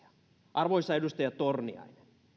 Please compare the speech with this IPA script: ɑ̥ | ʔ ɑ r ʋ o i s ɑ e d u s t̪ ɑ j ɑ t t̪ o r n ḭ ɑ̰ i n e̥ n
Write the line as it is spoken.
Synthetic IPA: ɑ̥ | ʔ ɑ r ʋ o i s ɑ e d u s t̪ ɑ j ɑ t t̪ o r n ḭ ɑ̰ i n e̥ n